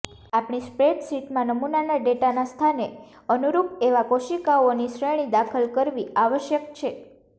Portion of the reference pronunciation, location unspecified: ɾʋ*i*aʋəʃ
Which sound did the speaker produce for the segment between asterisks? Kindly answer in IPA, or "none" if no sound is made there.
i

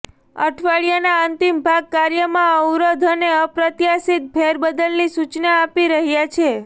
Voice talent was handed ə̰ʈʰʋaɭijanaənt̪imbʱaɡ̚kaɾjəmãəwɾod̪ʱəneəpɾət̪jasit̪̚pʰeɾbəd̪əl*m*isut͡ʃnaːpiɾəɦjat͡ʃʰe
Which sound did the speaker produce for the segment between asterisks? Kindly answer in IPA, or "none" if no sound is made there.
n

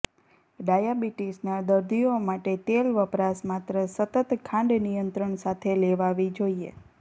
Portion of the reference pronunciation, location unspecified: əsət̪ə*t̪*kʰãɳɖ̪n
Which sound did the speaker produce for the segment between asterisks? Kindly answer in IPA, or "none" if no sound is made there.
t̪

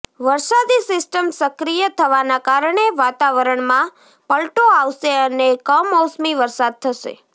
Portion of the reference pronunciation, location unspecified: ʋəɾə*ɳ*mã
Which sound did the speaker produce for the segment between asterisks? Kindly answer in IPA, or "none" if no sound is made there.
ɳ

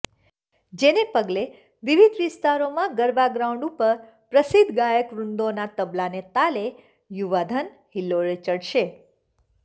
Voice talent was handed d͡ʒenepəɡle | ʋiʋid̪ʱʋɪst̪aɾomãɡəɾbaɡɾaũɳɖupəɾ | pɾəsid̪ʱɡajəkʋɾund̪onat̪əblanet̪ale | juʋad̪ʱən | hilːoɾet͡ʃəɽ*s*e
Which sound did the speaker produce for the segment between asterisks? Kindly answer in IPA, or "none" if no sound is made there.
ʃ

